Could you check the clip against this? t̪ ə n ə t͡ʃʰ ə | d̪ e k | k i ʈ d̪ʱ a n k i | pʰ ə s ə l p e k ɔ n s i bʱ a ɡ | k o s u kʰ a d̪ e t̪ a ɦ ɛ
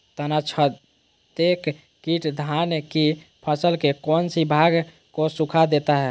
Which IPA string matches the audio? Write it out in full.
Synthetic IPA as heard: t̪ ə n a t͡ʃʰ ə | t̪ e k | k i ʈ d̪ʱ a n k i | pʰ ə s ə l k e k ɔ n s i bʱ a ɡ | k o s u kʰ a d̪ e t̪ a ɦ ɛ